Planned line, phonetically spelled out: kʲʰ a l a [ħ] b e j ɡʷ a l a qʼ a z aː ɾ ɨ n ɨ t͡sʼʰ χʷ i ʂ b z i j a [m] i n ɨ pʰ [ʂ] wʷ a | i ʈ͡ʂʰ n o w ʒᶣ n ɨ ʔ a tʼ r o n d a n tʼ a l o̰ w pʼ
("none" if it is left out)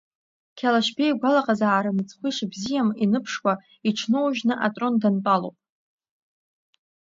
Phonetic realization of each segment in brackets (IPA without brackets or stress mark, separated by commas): ʃ, m, ʂ